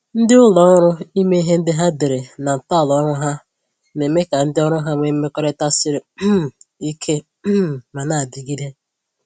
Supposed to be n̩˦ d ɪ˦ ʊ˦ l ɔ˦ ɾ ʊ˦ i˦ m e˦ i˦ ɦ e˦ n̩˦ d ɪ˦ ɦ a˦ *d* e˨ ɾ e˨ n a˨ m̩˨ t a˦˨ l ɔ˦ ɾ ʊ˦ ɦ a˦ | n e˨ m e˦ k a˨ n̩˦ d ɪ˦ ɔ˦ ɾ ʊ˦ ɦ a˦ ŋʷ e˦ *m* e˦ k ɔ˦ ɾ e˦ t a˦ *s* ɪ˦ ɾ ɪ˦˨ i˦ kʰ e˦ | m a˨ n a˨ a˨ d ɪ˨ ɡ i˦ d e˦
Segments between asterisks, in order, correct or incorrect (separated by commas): correct, correct, correct